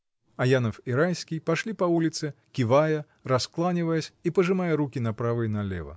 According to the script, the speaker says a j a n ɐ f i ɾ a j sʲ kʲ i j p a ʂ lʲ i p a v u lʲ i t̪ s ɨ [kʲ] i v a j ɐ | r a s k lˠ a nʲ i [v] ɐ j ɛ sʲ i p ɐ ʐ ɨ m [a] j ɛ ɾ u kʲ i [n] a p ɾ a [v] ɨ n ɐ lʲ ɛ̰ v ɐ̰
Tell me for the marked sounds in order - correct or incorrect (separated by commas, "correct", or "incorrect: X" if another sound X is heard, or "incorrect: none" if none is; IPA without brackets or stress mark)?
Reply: correct, correct, correct, correct, correct